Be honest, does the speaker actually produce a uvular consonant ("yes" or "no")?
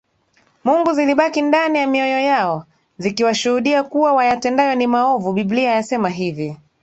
no